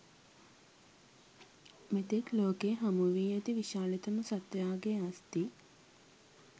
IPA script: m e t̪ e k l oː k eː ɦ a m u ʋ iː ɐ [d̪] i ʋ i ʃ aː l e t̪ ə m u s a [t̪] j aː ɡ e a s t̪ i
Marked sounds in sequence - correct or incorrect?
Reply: incorrect, correct

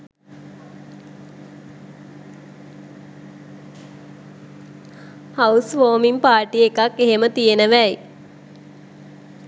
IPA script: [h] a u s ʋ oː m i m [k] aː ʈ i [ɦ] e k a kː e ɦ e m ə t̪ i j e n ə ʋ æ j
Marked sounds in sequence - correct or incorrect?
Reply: correct, incorrect, incorrect

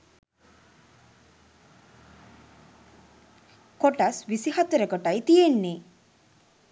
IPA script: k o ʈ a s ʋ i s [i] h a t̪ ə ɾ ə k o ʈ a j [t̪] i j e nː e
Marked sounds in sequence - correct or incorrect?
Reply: correct, correct

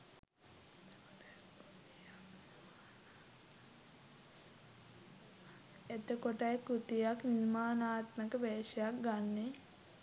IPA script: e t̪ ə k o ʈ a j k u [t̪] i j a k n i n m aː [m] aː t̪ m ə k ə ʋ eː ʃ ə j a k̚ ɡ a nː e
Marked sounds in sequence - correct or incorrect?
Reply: correct, incorrect

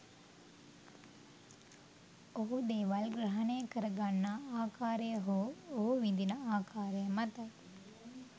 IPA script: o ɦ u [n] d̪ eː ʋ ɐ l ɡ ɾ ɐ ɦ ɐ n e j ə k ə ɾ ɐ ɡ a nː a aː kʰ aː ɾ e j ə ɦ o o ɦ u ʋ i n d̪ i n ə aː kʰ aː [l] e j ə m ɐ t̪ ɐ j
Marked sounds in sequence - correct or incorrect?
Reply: incorrect, incorrect

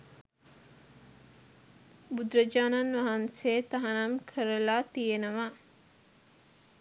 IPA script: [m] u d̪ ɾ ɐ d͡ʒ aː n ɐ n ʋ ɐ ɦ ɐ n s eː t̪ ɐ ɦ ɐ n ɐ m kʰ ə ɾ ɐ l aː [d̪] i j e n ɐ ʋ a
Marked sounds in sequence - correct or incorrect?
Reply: incorrect, incorrect

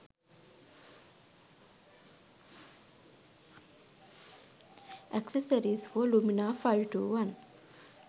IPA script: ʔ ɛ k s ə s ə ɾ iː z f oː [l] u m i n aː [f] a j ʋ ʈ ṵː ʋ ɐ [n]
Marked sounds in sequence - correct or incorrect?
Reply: correct, correct, correct

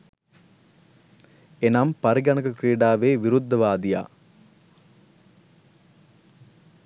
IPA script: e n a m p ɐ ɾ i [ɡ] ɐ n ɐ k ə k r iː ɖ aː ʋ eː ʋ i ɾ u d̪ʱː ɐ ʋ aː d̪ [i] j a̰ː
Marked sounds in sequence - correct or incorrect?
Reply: correct, correct

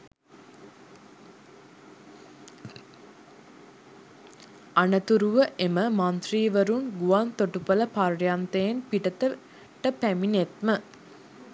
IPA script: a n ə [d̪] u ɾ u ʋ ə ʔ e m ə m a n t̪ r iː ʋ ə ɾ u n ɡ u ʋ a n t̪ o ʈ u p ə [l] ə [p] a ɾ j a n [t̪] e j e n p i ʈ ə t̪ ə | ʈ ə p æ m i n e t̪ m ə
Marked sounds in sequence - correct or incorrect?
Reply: incorrect, correct, correct, correct

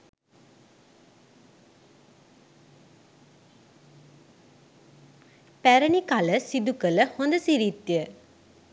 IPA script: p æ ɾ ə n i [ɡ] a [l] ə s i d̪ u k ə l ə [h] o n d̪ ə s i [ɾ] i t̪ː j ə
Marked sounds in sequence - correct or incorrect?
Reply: incorrect, correct, correct, correct

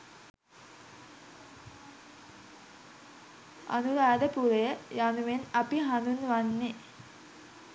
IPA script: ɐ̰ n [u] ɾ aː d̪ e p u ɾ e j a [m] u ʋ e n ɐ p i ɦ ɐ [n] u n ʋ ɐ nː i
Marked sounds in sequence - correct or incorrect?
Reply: correct, incorrect, correct

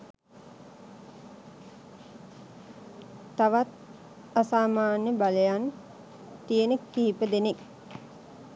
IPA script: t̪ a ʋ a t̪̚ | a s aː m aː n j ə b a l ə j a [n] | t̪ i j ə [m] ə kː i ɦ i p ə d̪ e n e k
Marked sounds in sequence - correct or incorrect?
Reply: correct, incorrect

